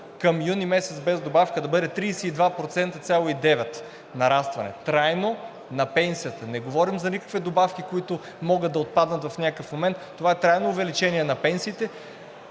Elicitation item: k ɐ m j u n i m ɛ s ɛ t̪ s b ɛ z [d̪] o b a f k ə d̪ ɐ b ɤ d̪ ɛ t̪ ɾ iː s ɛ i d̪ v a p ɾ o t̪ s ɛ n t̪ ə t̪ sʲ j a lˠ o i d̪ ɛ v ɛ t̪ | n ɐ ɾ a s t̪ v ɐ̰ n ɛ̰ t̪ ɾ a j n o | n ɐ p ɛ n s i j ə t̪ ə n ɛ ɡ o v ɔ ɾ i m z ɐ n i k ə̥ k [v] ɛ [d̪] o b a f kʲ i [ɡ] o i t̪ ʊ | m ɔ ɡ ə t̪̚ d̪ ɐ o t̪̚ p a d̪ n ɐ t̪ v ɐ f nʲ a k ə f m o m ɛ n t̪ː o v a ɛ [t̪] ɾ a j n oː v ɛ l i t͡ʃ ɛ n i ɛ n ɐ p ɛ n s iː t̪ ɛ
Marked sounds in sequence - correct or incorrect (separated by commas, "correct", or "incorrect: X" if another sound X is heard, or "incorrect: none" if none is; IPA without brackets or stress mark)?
correct, correct, correct, incorrect: k, correct